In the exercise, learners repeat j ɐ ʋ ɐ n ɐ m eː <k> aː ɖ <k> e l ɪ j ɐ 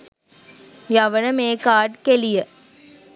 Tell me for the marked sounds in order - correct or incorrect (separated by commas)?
correct, correct